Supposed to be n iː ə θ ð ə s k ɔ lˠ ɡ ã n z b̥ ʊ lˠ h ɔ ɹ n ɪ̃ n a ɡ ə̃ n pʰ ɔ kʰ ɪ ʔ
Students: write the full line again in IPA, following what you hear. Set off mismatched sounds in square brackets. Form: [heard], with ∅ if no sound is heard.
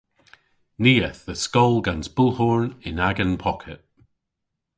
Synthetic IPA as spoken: n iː ə θ ð ə s k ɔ lˠ ɡ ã n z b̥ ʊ lˠ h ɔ ɹ n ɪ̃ n a ɡ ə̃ n pʰ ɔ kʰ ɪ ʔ